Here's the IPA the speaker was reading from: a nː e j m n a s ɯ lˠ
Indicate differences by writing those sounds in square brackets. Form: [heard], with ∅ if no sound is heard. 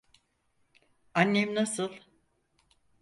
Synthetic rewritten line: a nː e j m n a s ɯ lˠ